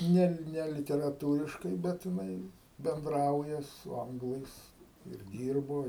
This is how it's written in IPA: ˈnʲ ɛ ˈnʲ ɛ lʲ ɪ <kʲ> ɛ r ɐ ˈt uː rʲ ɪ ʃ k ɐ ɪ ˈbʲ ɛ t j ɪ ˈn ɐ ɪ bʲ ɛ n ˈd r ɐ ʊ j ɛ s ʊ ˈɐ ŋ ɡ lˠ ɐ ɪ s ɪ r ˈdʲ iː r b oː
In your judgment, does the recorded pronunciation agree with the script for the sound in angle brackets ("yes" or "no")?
no